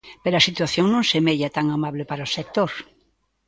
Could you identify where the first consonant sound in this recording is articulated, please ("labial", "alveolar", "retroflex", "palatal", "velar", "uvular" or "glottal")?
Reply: labial